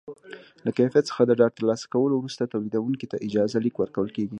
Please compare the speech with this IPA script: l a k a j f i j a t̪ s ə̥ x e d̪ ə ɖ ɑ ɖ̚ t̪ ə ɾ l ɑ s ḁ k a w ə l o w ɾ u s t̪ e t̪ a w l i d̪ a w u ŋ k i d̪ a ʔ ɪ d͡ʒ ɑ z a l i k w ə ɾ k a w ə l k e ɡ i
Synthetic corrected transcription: l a k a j f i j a t̪ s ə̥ x a d̪ ə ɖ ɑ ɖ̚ t̪ ə ɾ l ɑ s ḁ k a w ə l o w ɾ u s t̪ a t̪ a w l i d̪ a w u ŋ k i t̪ a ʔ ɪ d͡ʒ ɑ z a l i k w ə ɾ k a w ə l k e ɡ i